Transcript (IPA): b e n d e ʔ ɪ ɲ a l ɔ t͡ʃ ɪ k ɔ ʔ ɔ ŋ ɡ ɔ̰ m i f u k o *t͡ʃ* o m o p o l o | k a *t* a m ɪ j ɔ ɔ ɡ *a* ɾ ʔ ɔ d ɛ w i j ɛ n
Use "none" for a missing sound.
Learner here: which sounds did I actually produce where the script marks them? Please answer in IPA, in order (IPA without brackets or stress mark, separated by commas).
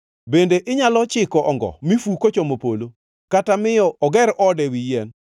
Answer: t͡ʃ, t, ɛ